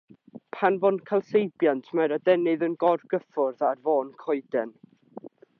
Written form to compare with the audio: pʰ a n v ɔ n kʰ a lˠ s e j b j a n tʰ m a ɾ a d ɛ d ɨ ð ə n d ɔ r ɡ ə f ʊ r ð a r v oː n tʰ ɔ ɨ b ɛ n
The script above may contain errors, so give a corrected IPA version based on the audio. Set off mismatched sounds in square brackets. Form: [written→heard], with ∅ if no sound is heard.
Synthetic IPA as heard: pʰ a n v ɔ n kʰ a lˠ s e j b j a n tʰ m a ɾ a d ɛ [d→n] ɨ ð ə n [d→ɡ] ɔ r ɡ ə f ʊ r ð a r v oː n [tʰ→kʰ] ɔ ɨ [b→d] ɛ n